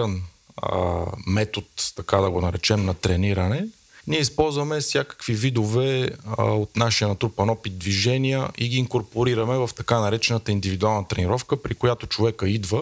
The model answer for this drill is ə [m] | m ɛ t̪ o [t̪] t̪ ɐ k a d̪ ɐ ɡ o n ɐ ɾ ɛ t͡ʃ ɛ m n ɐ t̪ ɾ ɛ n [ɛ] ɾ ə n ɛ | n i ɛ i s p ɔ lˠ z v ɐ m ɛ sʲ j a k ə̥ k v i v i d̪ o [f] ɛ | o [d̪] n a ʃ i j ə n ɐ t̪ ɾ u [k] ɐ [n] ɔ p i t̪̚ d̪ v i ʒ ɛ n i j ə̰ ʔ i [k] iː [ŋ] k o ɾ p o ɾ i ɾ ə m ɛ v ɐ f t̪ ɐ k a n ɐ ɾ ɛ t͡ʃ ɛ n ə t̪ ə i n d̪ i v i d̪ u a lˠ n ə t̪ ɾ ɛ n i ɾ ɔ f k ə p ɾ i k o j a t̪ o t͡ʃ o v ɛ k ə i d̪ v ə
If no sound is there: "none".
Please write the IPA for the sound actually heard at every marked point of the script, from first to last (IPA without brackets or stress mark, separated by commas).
n, t̪, i, v, t̪, p, n, ɡ, ŋ